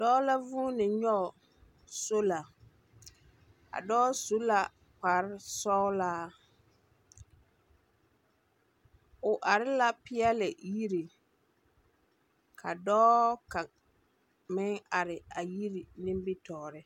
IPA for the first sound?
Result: d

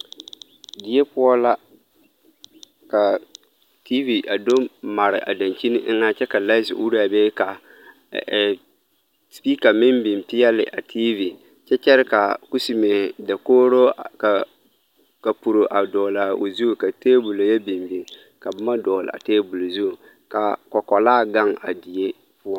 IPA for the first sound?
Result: d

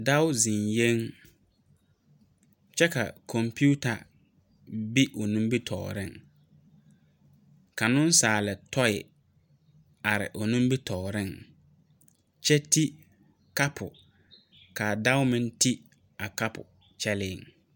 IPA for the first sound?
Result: d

